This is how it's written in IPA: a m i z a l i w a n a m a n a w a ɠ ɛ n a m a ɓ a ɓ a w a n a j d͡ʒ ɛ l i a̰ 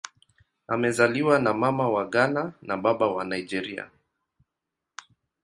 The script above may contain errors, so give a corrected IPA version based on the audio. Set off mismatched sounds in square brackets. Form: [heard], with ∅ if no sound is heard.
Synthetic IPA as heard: a m [ɛ] z a l i w a n a m a [m] a w a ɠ [a] n a [n] a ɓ a ɓ a w a n a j d͡ʒ ɛ [ɾ] i a̰

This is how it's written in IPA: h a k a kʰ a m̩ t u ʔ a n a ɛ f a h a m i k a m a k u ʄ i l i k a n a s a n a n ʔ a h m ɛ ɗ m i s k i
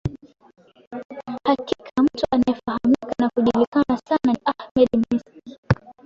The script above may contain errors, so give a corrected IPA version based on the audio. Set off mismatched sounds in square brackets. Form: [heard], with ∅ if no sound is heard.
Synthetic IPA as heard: h a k [i] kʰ a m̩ t u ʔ a n a ɛ f a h a m i k a [n] a k u ʄ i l i k a n a s a n a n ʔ a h m ɛ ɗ m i s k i

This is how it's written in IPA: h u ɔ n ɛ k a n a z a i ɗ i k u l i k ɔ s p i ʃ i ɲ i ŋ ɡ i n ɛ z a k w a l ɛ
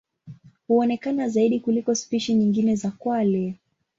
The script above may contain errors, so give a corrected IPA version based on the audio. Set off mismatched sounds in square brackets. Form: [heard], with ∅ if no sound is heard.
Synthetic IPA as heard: h u ɔ n ɛ k a n a z a i ɗ i k u l i k ɔ s p i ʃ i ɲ i ŋ ɡ i n ɛ z a k w a l ɛ

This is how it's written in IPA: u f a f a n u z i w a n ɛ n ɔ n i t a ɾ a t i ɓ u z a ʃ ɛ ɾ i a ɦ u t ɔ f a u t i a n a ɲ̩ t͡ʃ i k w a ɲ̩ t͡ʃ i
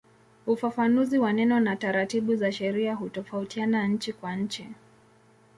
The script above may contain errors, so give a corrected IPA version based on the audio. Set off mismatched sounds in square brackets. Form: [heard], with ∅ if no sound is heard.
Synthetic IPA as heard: u f a f a n u z i w a n ɛ n ɔ n [a] t a ɾ a t i ɓ u z a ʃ ɛ ɾ i a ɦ u t ɔ f a u t i a n a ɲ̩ t͡ʃ i k w a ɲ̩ t͡ʃ i

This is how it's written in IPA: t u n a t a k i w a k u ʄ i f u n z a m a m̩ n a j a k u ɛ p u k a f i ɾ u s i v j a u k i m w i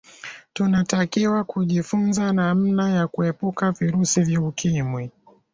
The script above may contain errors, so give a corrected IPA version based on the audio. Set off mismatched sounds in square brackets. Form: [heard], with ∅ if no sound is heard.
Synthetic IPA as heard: t u n a t a k i w a k u ʄ i f u n z a [n] a m̩ n a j a k u ɛ p u k a [v] i ɾ u s i v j a u k i m w i

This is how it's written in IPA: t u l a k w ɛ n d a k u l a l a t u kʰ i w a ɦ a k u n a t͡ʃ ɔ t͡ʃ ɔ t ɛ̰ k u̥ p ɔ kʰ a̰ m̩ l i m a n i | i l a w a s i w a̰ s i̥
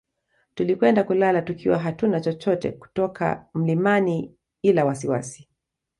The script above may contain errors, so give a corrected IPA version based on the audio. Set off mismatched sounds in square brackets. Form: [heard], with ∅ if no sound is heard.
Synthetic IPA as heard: t u l [i] k w ɛ n d a k u l a l a t u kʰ i w a ɦ a [t] u n a t͡ʃ ɔ t͡ʃ ɔ t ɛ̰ k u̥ [t] ɔ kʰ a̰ m̩ l i m a n i | i l a w a s i w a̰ s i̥

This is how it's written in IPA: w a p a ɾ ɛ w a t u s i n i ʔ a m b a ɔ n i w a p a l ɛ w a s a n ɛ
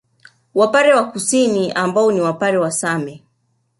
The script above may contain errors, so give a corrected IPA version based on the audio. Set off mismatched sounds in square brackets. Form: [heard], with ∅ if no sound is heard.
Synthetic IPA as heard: w a p a ɾ ɛ w a [k] u s i n i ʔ a m b a ɔ n i w a p a [ɾ] ɛ w a s a [m] ɛ

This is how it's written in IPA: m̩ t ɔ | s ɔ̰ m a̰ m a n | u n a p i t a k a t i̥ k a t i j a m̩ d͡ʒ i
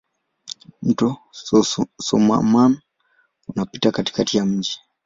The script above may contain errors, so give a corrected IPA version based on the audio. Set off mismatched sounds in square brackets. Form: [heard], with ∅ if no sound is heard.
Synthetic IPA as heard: m̩ t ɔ | s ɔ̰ m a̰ m a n | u n a p i t a k a t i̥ k a t i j a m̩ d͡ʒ i

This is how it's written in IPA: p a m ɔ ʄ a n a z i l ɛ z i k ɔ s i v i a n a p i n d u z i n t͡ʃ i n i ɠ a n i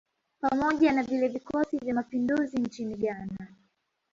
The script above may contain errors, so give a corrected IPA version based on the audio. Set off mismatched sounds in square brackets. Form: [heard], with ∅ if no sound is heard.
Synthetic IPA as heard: p a m ɔ ʄ a n a [v] i l ɛ [v] i k ɔ s i v [j] a [m] a p i n d u z i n t͡ʃ i n i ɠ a n [a]

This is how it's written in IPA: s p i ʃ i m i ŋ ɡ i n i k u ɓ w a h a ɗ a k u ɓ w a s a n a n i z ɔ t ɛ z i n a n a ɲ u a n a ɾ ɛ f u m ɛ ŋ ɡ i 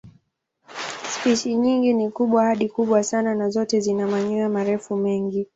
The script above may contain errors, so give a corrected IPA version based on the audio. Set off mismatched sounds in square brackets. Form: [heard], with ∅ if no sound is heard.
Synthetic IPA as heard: s p i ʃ i [ɲ] i ŋ ɡ i n i k u ɓ w a h a ɗ [i] k u ɓ w a s a n a n [a] z ɔ t ɛ z i n a [m] a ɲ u a [m] a ɾ ɛ f u m ɛ ŋ ɡ i

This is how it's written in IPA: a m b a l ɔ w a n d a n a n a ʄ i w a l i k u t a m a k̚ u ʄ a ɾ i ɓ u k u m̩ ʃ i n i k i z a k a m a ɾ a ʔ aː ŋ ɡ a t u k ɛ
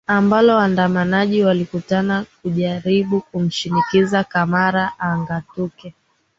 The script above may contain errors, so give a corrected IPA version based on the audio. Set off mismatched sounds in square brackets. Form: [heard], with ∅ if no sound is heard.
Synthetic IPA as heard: a m b a l ɔ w a n d a [m] a n a ʄ i w a l i k u t a [n] a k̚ u ʄ a ɾ i ɓ u k u m̩ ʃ i n i k i z a k a m a ɾ a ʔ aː ŋ ɡ a t u k ɛ

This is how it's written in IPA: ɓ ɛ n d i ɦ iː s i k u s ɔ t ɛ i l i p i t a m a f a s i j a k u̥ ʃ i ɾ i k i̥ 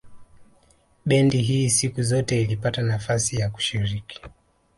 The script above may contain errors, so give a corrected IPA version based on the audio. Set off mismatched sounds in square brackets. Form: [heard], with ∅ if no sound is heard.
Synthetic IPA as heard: ɓ ɛ n d i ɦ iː s i k u [z] ɔ t ɛ i l i p [a] t a [n] a f a s i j a k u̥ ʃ i ɾ i k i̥

